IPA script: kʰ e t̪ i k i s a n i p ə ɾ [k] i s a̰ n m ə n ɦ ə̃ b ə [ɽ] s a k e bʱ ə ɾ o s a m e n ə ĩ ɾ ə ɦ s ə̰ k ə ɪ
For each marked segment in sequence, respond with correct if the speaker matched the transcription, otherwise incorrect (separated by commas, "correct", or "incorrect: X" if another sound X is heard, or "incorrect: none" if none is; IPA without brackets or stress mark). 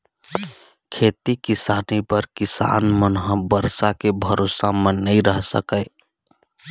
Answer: correct, incorrect: ɾ